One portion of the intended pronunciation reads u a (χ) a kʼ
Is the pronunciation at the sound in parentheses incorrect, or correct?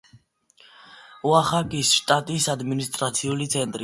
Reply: correct